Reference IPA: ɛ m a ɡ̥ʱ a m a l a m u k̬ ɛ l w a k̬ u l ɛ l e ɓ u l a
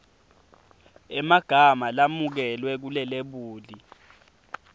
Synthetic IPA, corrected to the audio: ɛ m a ɡ̥ʱ a m a l a m u k̬ ɛ l w ɛ k̬ u l ɛ l e ɓ uː l i